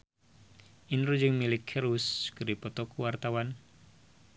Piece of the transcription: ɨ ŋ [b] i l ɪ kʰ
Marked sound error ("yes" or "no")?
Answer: yes